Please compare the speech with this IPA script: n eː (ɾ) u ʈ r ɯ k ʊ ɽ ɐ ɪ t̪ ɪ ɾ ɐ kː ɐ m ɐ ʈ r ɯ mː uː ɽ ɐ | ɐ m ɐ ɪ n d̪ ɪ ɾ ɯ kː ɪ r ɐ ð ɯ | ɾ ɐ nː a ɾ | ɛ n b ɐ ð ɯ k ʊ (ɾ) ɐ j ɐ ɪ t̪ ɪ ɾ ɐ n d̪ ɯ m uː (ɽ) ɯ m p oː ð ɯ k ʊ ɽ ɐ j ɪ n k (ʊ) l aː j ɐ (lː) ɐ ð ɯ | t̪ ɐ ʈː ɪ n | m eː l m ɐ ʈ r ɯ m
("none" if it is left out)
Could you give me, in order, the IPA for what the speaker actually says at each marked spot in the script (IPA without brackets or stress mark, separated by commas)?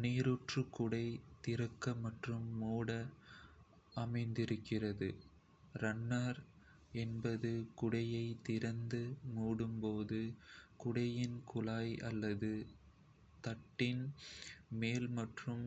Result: ɾ, ɽ, ɽ, ʊ, lː